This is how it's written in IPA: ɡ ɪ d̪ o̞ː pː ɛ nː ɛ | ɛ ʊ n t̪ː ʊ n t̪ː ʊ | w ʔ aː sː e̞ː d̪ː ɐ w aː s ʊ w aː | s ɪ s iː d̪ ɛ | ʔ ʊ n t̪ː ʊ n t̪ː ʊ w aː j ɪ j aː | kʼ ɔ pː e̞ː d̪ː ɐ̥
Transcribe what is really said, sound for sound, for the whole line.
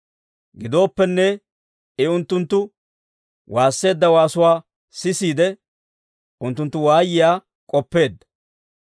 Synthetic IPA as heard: ɡ ɪ d̪ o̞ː pː ɛ nː ɛ | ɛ ʊ n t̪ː ʊ n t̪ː ʊ | w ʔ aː sː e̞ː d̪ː ɐ w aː s ʊ w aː | s ɪ s iː d̪ ɛ | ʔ ʊ n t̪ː ʊ n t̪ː ʊ w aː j ɪ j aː | kʼ ɔ pː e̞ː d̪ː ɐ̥